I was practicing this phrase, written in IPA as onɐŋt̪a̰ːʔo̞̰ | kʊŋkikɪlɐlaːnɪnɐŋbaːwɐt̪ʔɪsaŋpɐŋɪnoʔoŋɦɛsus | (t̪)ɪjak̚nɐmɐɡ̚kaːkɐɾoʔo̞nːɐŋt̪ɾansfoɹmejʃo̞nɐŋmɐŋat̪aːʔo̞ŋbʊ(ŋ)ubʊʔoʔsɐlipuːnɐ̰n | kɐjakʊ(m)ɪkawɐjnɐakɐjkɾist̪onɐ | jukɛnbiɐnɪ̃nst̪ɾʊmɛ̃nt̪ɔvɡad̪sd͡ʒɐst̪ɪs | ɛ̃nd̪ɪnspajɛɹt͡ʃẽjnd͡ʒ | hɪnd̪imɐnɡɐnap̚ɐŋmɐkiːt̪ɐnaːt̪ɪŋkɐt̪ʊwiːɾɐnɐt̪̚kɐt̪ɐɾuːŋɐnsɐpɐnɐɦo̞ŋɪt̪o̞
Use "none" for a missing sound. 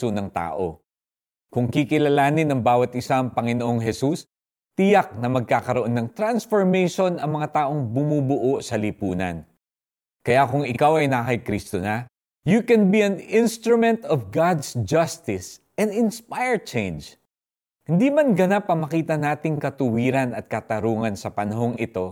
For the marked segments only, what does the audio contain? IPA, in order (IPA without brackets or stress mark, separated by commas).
t̪, m, ŋ